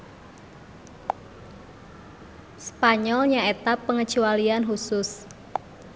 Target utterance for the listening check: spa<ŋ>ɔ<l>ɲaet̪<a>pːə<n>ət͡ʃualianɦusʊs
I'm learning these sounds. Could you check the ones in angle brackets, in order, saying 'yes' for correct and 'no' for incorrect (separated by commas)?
no, yes, yes, no